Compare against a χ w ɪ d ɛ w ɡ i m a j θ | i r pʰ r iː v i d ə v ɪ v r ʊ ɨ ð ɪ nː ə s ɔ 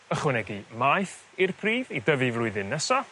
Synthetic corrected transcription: ə χ w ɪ n ɛ ɡ i m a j θ | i r pʰ r iː v i d ə v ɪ v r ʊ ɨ ð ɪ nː ə s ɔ